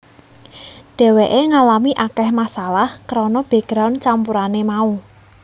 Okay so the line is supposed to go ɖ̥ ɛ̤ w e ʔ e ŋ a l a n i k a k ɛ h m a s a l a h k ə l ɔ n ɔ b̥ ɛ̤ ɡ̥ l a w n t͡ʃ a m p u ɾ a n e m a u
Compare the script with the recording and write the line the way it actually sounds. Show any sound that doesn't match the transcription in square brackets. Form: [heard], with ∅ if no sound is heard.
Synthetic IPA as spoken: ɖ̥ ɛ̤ w e ʔ e ŋ a l a [m] i [ʔ] a k ɛ h m a s a l a h k ə [ɾ] ɔ n ɔ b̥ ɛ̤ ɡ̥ [ɾ] a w n t͡ʃ a m p u ɾ a n e m a u